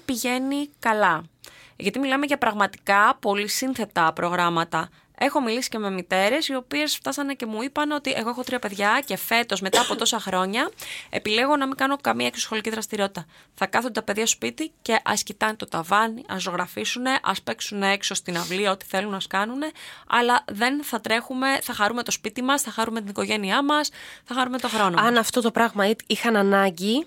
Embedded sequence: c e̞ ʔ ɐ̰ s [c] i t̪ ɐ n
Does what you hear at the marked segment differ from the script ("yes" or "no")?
no